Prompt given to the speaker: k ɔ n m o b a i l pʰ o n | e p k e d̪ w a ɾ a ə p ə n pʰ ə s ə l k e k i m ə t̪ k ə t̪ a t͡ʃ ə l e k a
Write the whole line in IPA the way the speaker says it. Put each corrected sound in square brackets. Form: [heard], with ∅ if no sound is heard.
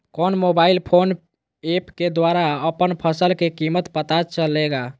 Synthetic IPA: k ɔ n m o b a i l pʰ o n | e p k e d̪ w a ɾ a ə p ə n pʰ ə s ə l k e k i m ə t̪ [p] ə t̪ a t͡ʃ ə l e [ɡ] a